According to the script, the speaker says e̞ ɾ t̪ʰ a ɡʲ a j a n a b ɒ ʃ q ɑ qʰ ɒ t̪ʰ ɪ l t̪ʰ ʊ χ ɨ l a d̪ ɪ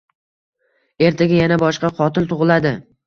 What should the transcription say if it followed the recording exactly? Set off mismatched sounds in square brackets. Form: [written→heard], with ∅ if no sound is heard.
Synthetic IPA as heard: e̞ ɾ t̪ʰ a ɡʲ a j a n a b ɒ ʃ q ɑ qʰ ɒ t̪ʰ ɪ l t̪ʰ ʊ [χ→ʁ] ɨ l a d̪ ɪ